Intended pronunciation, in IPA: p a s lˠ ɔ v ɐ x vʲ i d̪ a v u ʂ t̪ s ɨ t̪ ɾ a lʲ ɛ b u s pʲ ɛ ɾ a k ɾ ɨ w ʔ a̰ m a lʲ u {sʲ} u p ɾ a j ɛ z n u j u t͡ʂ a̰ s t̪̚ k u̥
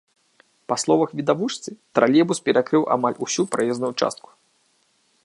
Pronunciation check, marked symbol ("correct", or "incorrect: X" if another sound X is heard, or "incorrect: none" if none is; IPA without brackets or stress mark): correct